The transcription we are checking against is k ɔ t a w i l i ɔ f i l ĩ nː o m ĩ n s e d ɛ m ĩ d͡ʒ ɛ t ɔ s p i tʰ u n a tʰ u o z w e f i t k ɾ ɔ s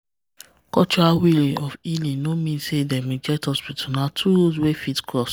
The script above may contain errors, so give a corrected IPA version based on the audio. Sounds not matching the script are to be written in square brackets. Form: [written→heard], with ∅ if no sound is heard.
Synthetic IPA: k ɔ [t→t͡ʃ] a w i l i ɔ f i l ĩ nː o m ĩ n s e d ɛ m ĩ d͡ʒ ɛ t ɔ s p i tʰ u n a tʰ u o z w e f i t k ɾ ɔ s